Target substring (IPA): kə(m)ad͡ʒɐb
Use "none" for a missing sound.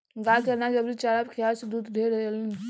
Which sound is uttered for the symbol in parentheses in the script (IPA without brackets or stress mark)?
n